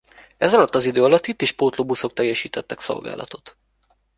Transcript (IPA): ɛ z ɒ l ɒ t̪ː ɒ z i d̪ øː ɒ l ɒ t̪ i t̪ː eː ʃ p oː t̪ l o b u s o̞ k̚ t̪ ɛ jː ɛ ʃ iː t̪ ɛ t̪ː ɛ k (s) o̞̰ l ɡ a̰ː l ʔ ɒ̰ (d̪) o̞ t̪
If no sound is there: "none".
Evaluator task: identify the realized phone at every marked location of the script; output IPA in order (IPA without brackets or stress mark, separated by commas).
s, t̪